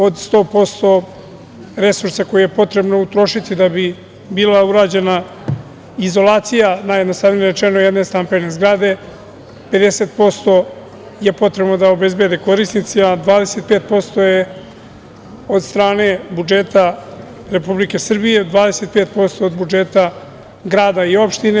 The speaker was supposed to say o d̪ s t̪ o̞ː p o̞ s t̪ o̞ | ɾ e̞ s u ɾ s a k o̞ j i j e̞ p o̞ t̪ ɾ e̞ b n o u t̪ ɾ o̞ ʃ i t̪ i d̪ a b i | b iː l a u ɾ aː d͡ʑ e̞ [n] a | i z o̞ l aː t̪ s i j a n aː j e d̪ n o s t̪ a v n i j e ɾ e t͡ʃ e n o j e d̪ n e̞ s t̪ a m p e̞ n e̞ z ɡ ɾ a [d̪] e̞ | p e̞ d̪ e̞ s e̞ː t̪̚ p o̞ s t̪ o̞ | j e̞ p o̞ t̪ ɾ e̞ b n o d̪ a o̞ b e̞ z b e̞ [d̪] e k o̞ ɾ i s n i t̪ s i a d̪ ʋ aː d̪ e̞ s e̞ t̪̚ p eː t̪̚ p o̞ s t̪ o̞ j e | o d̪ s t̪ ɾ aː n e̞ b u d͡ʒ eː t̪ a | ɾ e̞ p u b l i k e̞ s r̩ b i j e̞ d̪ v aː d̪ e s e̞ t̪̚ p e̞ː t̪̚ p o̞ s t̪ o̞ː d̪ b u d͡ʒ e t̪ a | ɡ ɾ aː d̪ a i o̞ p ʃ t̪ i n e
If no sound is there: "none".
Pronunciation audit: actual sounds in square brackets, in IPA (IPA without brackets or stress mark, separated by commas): n, d̪, d̪